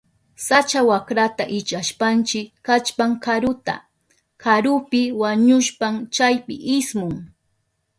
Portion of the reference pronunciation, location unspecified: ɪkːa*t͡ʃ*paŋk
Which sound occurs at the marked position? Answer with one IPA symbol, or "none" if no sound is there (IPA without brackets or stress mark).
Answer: t͡ʃ